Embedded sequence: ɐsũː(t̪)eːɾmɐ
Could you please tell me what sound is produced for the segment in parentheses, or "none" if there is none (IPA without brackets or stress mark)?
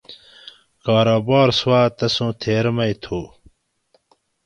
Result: t̪ʰ